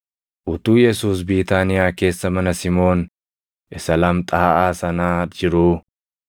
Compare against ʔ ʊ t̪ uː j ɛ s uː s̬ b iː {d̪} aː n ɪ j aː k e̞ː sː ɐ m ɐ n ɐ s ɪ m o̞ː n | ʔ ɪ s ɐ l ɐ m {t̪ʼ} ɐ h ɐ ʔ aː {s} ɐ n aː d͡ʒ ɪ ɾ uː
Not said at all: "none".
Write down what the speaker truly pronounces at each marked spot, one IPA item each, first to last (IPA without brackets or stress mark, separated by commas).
t̪, t̪ʼ, s